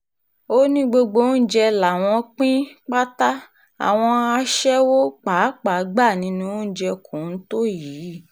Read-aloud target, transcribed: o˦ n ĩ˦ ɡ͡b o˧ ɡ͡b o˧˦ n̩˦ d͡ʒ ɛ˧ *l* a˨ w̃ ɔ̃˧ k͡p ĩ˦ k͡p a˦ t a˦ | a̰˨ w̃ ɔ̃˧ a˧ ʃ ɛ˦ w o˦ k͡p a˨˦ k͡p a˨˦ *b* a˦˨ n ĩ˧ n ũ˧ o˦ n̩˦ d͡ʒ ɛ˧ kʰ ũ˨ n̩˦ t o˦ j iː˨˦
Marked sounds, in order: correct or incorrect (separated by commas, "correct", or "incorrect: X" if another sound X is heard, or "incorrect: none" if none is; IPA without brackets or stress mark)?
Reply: correct, incorrect: ɡ͡b